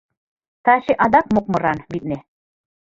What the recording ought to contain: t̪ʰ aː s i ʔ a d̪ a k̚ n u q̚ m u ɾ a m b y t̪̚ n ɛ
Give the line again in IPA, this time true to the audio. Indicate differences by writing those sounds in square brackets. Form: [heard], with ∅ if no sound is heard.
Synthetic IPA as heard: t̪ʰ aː [ʃ] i ʔ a d̪ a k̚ [m] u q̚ m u ɾ a [n] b [i] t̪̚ n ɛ